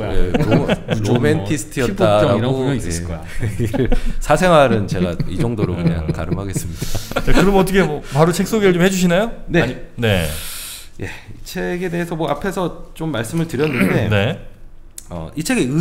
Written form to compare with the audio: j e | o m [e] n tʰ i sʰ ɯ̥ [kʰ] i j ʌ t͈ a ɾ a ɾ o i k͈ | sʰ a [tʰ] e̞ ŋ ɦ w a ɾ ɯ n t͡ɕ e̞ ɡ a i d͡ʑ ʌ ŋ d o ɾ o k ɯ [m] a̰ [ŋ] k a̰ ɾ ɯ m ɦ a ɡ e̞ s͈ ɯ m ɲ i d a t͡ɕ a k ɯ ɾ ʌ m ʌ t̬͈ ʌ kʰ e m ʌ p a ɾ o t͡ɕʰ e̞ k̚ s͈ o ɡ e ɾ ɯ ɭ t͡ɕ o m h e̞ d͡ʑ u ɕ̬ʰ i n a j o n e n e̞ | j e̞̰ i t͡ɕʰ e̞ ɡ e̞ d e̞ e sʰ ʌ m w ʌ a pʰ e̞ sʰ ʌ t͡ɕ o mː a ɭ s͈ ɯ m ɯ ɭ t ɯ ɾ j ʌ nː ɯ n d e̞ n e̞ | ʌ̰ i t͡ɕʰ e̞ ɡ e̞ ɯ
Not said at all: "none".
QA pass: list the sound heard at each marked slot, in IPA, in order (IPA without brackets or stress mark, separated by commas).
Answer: e, tʰ, sʰ, ɲ, ŋ